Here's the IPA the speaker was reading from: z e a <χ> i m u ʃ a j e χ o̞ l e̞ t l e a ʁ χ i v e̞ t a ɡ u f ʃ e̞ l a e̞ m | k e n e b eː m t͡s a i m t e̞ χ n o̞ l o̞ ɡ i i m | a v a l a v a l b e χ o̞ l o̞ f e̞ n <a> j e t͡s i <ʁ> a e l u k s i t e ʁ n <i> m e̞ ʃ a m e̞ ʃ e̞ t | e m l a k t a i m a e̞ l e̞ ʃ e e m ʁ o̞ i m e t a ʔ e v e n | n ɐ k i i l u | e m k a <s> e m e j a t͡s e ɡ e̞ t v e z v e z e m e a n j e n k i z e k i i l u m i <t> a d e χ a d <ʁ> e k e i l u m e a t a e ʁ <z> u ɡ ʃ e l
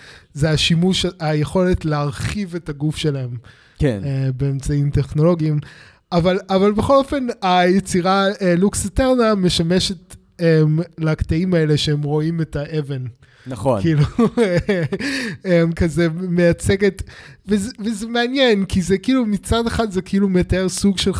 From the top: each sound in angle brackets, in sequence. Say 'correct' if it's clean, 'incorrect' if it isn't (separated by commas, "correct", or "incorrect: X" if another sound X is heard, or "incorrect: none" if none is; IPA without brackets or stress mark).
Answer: incorrect: ʃ, correct, correct, incorrect: a, incorrect: z, incorrect: t͡s, incorrect: z, incorrect: s